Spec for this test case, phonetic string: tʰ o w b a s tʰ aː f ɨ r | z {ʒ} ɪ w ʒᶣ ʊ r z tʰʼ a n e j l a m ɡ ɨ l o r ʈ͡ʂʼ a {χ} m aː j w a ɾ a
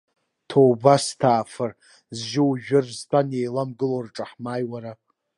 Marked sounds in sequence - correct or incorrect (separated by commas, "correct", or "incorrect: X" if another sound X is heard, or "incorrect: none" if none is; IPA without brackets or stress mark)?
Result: correct, incorrect: ħ